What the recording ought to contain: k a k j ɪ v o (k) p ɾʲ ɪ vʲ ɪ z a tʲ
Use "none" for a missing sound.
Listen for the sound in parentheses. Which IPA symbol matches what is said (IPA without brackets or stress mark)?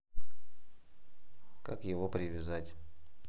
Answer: none